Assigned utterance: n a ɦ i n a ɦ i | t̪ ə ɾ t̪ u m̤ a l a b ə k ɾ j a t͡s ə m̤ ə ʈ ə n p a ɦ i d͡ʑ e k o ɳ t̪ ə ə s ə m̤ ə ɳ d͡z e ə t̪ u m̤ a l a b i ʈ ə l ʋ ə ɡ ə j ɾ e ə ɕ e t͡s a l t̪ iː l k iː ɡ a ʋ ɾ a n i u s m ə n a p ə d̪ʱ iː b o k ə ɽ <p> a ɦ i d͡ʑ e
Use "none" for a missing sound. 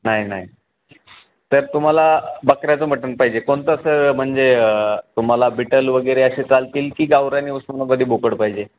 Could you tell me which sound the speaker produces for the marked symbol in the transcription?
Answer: p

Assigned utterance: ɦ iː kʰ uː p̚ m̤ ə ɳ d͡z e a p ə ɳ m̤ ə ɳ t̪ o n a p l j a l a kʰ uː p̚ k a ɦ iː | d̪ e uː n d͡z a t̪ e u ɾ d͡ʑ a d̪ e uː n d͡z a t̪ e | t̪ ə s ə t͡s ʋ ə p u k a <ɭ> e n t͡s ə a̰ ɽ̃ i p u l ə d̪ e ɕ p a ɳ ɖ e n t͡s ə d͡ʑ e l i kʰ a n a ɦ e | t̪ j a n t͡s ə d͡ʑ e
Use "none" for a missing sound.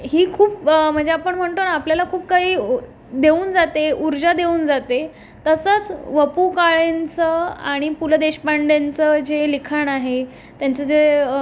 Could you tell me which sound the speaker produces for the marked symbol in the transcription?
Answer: ɭ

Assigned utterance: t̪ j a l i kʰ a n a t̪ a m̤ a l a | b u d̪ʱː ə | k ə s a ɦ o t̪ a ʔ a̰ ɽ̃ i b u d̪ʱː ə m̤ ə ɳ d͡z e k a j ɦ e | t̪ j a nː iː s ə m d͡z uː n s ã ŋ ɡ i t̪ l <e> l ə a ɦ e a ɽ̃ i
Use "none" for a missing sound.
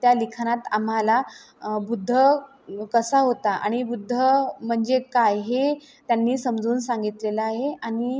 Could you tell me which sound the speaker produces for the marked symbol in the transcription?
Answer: e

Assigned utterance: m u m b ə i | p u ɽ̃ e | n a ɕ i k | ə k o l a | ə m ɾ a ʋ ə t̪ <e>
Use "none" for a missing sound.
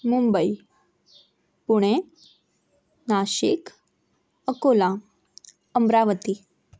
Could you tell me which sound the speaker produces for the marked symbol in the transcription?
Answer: i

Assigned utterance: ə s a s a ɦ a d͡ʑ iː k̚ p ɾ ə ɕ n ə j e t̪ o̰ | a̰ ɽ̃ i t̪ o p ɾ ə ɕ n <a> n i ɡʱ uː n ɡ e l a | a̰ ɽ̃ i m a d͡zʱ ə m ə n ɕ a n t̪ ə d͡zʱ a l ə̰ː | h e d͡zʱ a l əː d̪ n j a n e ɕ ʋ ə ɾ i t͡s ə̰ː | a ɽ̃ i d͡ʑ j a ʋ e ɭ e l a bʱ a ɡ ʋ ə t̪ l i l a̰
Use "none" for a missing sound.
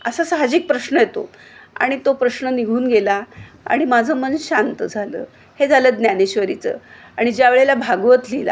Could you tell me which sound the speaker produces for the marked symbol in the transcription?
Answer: ə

